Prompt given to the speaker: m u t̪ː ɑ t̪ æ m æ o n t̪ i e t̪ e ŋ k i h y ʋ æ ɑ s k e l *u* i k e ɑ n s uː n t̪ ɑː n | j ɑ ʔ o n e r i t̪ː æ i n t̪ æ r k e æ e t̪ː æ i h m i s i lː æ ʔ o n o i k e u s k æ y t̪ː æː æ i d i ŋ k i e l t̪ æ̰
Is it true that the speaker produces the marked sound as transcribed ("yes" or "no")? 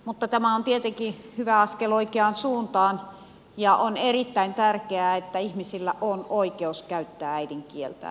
no